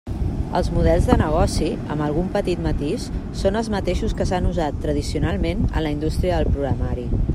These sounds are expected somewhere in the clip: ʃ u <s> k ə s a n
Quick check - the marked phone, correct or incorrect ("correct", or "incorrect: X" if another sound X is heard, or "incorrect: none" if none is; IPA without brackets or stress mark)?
correct